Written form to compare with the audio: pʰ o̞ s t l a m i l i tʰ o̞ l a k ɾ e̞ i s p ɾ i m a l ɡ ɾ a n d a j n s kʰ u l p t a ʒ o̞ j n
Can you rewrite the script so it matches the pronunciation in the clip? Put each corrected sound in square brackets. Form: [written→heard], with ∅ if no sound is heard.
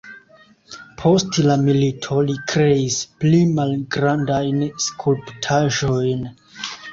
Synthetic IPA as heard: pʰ o̞ s t l a m i l i tʰ o̞ l [a→i] k ɾ e̞ i s p [ɾ→l] i m a l ɡ ɾ a n d a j n s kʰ u l p [t→tʰ] a ʒ o̞ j n